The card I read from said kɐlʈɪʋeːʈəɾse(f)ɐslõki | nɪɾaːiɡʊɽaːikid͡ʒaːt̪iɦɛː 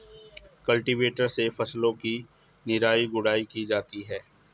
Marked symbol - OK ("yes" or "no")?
yes